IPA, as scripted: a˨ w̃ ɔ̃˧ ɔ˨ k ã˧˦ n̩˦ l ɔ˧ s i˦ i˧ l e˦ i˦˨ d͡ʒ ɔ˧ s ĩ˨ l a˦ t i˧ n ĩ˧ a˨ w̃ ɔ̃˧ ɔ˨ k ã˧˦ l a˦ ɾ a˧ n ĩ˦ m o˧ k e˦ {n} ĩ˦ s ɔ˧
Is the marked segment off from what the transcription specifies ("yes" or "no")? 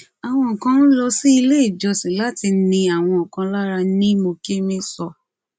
yes